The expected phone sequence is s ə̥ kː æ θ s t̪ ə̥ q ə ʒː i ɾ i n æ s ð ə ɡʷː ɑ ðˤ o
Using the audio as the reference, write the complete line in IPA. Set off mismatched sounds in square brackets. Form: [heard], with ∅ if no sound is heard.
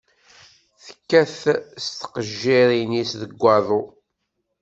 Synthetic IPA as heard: [θ] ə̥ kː æ θ s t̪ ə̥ q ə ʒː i ɾ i n [i] s ð ə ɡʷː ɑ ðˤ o